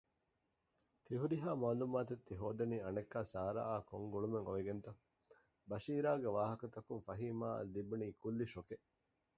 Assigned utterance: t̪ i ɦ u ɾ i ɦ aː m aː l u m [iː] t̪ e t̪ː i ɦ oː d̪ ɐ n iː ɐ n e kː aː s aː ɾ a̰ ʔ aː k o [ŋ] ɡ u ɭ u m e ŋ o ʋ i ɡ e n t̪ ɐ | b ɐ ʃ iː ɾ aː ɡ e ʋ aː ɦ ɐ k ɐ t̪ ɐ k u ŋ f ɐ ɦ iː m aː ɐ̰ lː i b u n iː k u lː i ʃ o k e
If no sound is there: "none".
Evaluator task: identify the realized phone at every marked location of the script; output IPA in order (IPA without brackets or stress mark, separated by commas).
aː, ŋ